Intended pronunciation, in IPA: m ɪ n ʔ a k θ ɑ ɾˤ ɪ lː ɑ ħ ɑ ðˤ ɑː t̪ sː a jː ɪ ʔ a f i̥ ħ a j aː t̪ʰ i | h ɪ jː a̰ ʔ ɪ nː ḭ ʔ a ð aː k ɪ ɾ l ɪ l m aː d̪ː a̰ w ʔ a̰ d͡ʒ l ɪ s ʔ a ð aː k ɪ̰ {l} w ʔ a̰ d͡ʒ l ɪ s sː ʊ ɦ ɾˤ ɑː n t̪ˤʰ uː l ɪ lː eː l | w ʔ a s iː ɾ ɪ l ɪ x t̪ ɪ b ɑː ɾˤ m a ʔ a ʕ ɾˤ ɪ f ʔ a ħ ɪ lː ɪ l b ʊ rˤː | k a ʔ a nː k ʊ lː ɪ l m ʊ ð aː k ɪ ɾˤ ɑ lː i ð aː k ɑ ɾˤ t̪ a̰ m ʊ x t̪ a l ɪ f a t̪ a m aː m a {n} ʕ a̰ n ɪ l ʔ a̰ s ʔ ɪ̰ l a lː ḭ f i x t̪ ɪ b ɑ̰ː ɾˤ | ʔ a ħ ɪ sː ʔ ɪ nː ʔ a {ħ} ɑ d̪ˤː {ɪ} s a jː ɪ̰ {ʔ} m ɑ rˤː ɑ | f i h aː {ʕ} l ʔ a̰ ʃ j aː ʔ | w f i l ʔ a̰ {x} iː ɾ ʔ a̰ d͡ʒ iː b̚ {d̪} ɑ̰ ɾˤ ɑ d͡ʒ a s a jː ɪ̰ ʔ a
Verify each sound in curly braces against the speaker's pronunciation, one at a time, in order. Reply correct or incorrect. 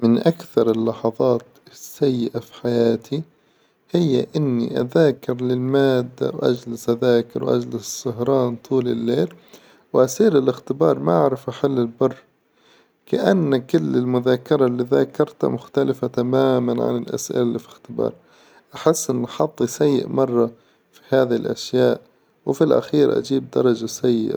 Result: incorrect: ɾ, correct, correct, incorrect: i, correct, incorrect: ð, correct, correct

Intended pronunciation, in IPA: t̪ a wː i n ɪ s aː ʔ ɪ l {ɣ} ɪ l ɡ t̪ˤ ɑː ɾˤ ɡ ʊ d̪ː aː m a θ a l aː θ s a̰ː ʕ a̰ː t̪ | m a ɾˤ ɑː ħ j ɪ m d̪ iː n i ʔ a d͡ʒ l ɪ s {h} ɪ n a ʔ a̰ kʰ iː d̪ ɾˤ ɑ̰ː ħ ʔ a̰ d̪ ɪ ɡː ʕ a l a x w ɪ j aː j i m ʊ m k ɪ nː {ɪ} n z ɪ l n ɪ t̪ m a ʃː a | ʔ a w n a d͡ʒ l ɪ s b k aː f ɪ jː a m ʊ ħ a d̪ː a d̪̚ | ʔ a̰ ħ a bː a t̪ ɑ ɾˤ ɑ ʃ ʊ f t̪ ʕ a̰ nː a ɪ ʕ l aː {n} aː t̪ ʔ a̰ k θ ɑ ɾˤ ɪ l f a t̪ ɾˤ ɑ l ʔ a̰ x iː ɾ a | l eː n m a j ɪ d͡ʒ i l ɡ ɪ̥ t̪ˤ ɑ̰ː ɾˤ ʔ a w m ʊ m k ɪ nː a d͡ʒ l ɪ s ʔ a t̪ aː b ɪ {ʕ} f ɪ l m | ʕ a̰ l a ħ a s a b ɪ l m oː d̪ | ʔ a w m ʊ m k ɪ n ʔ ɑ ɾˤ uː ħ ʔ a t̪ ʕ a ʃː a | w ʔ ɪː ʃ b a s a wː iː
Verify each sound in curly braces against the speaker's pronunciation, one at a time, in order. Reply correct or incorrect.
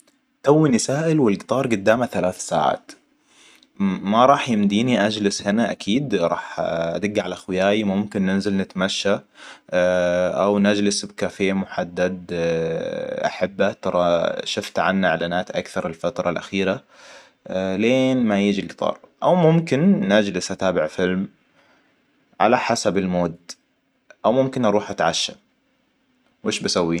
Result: incorrect: w, correct, correct, correct, correct

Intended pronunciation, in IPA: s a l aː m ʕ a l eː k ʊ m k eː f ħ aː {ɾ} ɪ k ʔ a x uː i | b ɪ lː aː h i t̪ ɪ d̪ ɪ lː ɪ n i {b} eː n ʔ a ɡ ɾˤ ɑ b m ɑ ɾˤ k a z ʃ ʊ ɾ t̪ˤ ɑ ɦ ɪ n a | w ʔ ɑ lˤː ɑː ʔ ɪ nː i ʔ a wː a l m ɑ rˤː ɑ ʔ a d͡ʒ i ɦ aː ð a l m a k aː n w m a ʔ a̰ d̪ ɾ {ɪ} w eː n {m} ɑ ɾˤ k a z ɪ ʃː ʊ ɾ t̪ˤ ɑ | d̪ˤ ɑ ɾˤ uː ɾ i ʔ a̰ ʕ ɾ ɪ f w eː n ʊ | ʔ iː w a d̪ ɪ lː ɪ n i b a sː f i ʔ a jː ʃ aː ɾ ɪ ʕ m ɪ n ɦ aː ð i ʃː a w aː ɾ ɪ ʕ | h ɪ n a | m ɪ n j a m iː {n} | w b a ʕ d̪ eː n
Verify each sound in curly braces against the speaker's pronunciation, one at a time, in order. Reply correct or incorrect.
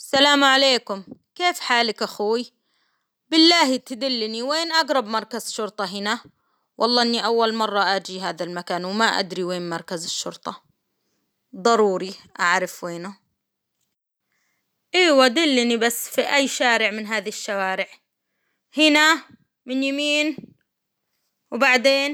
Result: incorrect: l, incorrect: w, incorrect: i, correct, correct

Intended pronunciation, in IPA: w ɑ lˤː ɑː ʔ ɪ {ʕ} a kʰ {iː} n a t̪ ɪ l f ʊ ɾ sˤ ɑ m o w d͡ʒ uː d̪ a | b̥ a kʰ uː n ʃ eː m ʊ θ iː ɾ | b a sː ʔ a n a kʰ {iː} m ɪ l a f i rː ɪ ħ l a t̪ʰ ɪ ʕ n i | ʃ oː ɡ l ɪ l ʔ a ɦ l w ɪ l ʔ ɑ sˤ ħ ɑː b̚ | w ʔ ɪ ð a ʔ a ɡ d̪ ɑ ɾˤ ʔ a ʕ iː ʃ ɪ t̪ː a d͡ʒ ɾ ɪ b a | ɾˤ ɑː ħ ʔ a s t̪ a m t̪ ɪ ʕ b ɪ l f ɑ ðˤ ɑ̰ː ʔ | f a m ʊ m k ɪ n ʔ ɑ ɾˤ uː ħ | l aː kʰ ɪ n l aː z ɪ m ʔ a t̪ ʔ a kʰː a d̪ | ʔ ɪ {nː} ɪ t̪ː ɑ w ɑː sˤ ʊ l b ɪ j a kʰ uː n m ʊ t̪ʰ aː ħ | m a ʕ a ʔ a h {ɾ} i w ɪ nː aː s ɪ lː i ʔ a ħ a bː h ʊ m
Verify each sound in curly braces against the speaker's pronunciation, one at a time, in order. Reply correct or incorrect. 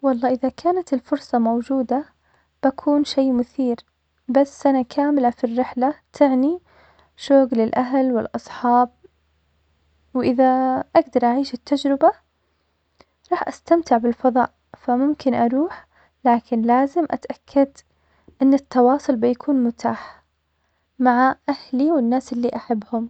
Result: incorrect: ð, incorrect: aː, incorrect: aː, correct, incorrect: l

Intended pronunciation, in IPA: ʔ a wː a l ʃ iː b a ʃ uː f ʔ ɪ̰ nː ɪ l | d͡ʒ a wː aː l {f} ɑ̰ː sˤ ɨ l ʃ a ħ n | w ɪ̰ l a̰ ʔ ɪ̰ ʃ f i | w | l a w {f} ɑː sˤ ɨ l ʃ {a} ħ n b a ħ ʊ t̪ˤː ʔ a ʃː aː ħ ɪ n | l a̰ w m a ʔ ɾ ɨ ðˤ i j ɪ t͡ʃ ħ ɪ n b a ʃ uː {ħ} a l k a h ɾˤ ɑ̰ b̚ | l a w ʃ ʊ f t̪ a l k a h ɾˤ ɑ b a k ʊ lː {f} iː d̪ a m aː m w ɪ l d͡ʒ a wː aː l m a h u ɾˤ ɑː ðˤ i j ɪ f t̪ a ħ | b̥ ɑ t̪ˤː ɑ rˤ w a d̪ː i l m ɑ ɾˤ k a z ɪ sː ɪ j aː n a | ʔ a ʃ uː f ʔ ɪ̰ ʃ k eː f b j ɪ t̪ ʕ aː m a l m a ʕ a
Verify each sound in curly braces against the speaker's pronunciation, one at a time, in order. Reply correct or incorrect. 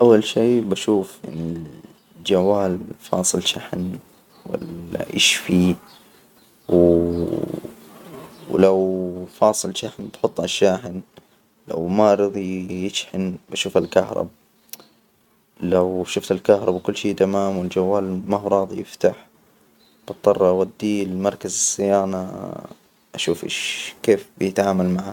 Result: correct, correct, correct, incorrect: f, incorrect: ʃ

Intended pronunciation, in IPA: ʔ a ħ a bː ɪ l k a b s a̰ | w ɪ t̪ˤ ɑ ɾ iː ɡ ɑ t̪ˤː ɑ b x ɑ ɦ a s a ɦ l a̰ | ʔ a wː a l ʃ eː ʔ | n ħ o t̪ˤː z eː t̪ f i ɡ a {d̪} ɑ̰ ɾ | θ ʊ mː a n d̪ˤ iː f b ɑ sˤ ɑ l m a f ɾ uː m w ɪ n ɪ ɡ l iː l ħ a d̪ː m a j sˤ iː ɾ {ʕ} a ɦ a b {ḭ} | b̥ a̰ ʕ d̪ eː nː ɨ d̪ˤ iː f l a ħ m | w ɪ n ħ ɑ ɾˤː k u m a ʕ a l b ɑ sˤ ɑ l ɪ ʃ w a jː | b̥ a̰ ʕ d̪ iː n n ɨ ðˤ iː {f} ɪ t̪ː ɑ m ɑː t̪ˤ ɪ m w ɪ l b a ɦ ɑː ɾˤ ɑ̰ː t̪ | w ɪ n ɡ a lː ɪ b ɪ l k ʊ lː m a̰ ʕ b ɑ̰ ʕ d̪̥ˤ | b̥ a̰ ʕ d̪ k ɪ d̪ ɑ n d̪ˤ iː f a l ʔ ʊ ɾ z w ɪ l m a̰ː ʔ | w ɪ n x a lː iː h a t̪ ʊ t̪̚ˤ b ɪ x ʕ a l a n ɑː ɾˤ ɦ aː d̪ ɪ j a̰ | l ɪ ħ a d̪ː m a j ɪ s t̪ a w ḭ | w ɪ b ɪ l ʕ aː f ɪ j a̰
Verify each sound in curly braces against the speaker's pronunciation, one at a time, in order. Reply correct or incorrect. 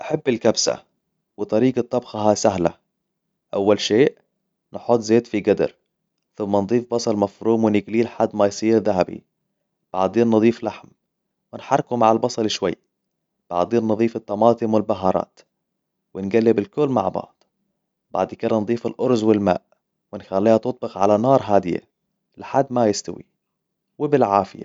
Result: correct, incorrect: ð, correct, correct

